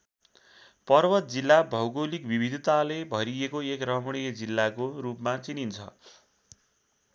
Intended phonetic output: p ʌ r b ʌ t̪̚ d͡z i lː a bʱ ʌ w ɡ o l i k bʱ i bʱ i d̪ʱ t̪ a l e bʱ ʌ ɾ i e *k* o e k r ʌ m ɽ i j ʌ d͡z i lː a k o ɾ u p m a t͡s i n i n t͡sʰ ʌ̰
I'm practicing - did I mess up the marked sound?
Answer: no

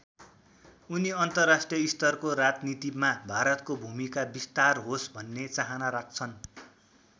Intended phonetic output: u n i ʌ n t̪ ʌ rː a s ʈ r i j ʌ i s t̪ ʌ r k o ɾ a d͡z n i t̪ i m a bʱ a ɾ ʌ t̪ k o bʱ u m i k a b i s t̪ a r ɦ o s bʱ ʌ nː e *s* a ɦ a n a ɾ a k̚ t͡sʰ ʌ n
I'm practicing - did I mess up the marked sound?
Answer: yes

